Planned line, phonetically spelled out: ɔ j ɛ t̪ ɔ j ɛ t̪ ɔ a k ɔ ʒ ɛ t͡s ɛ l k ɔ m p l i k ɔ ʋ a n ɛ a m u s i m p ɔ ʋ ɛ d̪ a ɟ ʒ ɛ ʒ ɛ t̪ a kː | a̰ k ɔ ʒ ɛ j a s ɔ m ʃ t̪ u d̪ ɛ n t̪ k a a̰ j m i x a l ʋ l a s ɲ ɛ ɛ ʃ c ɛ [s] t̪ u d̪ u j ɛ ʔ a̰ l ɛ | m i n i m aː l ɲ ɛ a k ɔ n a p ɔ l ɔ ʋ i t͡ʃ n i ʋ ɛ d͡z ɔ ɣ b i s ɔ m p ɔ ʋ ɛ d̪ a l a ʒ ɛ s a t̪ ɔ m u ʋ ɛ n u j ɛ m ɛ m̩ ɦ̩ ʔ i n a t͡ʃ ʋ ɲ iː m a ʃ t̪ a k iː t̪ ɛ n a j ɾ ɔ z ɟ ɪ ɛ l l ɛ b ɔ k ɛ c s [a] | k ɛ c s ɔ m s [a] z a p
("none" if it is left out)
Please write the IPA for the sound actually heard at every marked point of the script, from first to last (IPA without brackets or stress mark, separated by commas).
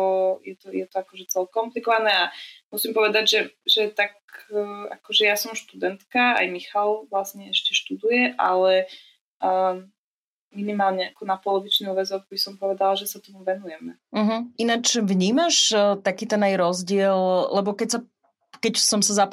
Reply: ʃ, a, a